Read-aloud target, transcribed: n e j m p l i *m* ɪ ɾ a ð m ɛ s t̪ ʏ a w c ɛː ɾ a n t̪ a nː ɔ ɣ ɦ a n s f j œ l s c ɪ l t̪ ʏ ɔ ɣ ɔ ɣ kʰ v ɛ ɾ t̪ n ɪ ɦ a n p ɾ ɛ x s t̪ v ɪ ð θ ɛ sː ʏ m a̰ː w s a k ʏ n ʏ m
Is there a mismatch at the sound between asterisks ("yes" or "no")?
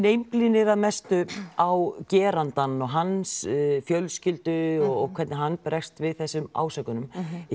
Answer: yes